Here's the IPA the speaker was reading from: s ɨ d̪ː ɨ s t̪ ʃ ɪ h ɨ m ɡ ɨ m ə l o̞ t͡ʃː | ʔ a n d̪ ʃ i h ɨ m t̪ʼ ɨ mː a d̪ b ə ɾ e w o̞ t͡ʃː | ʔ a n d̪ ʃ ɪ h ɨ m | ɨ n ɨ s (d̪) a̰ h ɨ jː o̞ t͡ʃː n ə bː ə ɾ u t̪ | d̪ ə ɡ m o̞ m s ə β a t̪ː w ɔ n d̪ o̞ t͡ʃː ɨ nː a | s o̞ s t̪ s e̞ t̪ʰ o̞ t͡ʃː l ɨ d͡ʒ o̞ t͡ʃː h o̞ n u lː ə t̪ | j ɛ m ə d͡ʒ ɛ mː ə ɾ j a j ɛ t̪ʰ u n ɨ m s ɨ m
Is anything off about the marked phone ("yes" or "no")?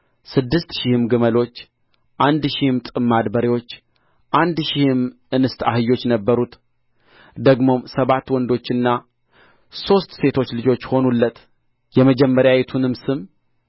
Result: yes